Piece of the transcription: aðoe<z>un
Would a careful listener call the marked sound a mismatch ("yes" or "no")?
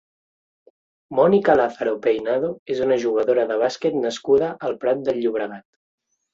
no